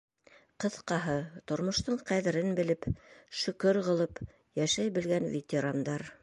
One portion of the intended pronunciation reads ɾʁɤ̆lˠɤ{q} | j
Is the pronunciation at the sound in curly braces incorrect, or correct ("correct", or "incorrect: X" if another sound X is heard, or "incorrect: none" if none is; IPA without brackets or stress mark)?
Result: incorrect: p